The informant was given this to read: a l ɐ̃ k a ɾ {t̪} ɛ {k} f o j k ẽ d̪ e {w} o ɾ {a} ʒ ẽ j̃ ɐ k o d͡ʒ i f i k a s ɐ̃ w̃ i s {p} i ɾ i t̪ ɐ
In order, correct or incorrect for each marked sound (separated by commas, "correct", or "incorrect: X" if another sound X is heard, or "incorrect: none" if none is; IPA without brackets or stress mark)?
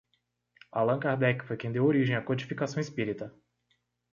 incorrect: d̪, correct, correct, incorrect: i, correct